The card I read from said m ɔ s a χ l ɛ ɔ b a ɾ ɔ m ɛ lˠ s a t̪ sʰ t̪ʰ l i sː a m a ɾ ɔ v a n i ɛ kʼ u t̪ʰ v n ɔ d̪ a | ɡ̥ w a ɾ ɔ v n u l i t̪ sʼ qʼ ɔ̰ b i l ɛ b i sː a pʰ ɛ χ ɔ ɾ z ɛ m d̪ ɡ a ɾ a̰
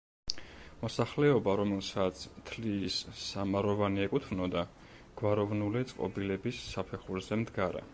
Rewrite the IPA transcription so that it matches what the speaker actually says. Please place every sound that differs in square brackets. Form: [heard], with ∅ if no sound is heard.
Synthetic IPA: m ɔ s a χ l ɛ ɔ b a ɾ ɔ m ɛ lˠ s a t̪ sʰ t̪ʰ l i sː a m a ɾ ɔ v a n i ɛ kʼ u t̪ʰ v n ɔ d̪ a | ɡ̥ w a ɾ ɔ v n u l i t̪ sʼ qʼ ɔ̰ b i l ɛ b i sː a pʰ ɛ χ [u] ɾ z ɛ m d̪ ɡ a ɾ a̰